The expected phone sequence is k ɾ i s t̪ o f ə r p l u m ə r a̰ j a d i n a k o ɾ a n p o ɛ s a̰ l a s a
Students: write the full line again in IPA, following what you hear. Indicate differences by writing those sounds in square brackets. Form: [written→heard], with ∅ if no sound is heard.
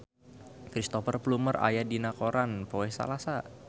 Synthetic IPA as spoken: k ɾ i s t̪ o f ə r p l u m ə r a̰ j a d i n a k o ɾ a n p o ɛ s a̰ l a s a